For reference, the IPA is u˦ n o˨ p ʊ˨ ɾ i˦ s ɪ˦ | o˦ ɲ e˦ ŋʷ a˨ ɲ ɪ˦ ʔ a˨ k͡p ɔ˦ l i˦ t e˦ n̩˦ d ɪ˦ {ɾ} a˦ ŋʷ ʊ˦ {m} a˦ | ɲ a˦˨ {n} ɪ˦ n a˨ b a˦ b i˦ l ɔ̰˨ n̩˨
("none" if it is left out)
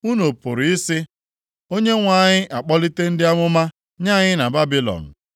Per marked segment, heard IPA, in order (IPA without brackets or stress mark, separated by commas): none, m, ɲ